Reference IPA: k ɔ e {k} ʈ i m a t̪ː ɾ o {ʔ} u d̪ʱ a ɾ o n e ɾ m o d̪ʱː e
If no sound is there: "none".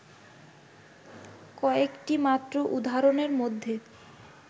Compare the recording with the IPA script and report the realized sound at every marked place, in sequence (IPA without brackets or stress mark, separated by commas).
k, ʔ